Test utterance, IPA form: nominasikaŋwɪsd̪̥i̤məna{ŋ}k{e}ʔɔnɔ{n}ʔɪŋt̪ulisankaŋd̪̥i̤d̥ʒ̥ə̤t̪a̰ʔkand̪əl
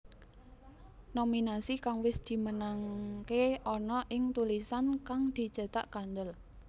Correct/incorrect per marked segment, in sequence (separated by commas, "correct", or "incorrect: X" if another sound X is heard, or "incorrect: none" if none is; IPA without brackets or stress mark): correct, correct, incorrect: none